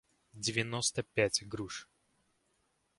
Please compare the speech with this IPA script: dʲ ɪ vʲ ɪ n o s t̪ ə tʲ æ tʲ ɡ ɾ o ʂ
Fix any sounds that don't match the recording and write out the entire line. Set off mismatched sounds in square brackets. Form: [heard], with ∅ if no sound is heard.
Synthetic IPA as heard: dʲ ɪ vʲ ɪ n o s t̪ ə [pʲ] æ tʲ ɡ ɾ [u] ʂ